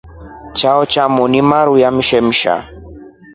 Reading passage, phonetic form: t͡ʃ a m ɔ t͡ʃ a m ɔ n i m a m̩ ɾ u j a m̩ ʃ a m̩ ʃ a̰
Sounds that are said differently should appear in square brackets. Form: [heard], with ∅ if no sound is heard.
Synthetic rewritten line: t͡ʃ a [∅] ɔ t͡ʃ a m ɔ n i m a [∅] ɾ u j a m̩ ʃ [ɛ] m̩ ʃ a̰